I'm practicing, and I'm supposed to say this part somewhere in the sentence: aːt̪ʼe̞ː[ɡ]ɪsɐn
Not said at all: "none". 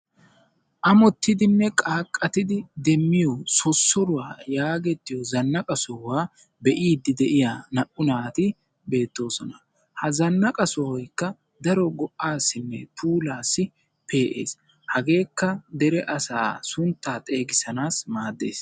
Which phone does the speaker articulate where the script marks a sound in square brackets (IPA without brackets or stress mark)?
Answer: ɡ